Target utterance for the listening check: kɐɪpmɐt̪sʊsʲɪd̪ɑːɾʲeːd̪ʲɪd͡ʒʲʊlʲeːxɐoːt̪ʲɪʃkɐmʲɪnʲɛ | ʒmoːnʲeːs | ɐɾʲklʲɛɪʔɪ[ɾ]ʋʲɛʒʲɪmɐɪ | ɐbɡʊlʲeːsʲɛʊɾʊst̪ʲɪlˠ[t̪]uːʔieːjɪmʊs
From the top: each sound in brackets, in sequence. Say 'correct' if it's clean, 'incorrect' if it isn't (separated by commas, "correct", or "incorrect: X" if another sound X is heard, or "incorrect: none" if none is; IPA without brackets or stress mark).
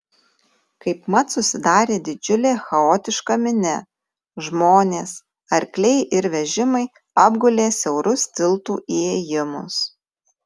correct, correct